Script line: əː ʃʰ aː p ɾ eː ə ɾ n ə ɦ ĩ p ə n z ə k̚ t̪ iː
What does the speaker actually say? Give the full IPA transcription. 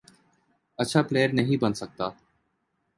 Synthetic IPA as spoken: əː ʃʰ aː p l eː ə ɾ n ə ɦ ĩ b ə n s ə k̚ t̪ aː